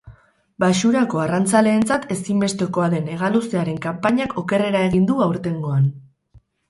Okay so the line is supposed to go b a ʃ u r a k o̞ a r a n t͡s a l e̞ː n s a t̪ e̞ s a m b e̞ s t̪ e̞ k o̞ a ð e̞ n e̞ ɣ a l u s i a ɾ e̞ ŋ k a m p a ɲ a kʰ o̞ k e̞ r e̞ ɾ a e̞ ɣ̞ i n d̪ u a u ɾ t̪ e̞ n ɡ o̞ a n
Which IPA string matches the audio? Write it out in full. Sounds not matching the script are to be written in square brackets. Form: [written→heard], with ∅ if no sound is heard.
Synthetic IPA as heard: b a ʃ u [r→ɾ] a k o̞ a r a n t͡s a l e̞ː n [s→t͡s] a t̪ e̞ s [a→i] m b e̞ s t̪ e̞ k o̞ a ð e̞ n e̞ ɣ a l u s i a ɾ e̞ ŋ k a m p a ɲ a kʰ o̞ k e̞ r e̞ ɾ a e̞ ɣ̞ i n d̪ u a [u→w] ɾ t̪ e̞ [n→ŋ] ɡ o̞ a n